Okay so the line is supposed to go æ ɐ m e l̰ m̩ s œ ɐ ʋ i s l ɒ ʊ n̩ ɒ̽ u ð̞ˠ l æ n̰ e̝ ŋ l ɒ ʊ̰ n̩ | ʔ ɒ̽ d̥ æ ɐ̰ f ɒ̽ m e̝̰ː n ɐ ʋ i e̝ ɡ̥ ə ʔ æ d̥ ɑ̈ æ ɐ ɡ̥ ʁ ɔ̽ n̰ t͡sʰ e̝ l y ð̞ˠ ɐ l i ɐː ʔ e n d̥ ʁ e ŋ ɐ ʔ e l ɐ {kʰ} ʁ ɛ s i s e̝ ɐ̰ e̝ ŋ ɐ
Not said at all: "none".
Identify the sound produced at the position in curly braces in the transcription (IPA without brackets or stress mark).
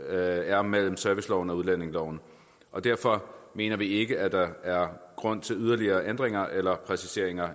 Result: pʰ